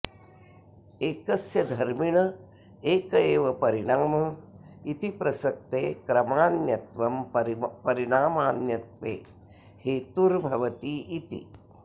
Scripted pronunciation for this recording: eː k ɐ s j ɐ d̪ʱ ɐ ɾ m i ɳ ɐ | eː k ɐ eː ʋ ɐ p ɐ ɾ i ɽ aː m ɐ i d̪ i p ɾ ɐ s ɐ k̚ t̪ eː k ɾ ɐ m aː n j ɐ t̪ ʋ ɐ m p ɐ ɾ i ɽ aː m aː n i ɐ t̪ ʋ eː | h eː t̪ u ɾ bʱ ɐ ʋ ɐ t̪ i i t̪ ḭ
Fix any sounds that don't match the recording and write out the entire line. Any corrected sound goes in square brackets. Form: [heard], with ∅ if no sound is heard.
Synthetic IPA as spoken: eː k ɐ s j ɐ d̪ʱ ɐ ɾ m i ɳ ɐ | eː k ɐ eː ʋ ɐ p ɐ ɾ i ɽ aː m ɐ i [t̪] i p ɾ ɐ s ɐ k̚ t̪ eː k ɾ ɐ m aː n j ɐ t̪ ʋ ɐ m p ɐ ɾ i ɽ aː m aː n [j] ɐ t̪ ʋ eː | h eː t̪ u ɾ bʱ ɐ ʋ ɐ t̪ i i t̪ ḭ